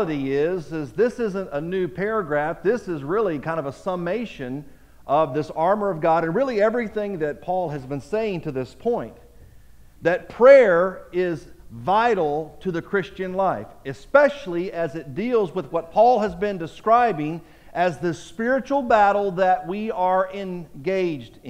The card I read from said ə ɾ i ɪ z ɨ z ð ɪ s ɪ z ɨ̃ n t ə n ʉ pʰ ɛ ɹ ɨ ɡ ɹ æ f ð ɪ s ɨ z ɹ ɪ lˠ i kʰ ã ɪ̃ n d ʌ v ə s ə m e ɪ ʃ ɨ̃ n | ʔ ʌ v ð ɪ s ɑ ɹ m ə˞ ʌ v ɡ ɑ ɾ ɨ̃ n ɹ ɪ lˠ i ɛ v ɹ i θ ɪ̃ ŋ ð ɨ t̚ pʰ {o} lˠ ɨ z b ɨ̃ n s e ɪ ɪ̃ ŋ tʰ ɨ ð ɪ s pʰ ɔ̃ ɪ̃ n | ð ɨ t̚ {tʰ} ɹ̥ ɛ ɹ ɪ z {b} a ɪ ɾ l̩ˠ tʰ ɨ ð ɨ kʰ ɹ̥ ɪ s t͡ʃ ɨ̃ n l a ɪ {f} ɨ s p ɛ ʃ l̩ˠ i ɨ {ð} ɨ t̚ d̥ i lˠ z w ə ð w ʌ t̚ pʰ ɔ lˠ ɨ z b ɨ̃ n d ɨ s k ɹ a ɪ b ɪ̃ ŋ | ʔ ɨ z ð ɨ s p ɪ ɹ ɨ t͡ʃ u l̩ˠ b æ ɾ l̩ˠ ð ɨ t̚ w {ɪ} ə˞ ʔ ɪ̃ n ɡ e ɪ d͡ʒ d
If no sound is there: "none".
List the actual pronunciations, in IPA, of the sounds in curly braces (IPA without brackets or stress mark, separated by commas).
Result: ɔ, pʰ, v, f, z, i